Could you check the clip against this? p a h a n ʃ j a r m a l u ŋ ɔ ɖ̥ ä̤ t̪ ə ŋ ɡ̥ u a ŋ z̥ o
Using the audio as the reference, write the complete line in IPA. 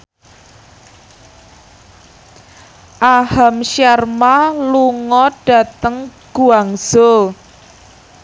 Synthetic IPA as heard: ʔ a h a m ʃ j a r m a l u ŋ ɔ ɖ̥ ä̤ t̪ ə ŋ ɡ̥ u a ŋ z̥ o